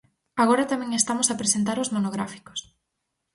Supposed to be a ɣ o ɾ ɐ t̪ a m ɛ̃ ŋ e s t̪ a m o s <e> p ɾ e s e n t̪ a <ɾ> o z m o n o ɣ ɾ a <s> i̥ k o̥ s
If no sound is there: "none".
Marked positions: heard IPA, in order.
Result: a, ɾ, f

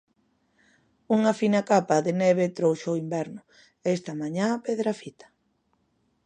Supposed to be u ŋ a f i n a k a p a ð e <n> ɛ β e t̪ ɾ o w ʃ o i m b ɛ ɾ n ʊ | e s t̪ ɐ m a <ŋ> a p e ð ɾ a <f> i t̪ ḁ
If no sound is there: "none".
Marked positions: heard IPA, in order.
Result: n, ɲ, f

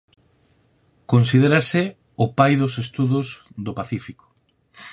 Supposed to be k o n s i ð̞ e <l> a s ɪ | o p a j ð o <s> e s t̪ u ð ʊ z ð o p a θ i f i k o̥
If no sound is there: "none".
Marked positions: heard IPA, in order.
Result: ɾ, s

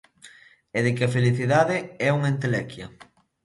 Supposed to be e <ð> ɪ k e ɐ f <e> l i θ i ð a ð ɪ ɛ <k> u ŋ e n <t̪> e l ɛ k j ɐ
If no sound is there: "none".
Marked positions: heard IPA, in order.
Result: ð, e, none, t̪

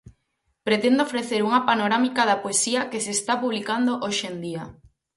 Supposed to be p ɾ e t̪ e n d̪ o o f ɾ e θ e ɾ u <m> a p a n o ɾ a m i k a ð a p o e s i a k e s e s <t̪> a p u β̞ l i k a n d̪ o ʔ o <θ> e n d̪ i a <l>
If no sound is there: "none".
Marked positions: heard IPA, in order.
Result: ŋ, t̪, ʃ, none

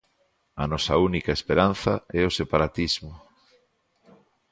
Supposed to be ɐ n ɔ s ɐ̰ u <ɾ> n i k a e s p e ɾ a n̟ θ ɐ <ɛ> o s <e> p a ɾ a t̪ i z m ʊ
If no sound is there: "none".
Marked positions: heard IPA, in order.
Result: none, ɛ, e

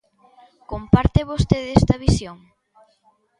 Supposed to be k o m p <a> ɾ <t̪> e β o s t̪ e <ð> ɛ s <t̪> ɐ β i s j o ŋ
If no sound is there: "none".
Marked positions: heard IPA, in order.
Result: a, t̪, ð, t̪

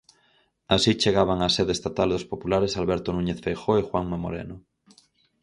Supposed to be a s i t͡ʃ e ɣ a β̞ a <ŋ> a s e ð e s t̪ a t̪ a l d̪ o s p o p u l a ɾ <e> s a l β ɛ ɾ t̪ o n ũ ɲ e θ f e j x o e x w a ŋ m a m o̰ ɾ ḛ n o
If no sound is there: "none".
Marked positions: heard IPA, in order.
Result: ŋ, e

